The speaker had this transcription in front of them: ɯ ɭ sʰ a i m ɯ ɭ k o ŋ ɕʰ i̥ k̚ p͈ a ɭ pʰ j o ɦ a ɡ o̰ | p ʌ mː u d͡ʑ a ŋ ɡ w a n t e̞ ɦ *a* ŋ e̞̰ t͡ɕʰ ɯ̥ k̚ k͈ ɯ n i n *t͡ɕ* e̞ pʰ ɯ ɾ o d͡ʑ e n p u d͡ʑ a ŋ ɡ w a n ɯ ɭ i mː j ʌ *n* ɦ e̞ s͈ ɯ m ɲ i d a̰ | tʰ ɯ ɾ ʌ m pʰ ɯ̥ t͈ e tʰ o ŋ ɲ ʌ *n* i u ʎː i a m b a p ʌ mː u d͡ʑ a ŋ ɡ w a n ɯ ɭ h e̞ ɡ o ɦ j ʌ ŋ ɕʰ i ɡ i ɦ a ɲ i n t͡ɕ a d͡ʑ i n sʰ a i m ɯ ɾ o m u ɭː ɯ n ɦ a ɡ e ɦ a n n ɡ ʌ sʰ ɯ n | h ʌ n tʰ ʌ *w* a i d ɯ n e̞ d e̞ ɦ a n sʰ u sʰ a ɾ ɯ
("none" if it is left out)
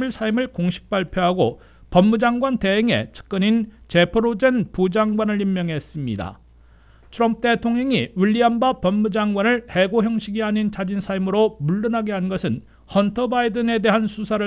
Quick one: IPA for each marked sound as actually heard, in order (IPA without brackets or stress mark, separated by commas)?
e, t͡ɕ, ŋ, ŋ, b